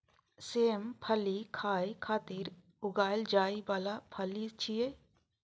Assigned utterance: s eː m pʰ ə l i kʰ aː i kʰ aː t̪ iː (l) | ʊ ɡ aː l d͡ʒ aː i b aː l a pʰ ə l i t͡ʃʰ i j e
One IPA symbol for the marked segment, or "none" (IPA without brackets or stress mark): ɾ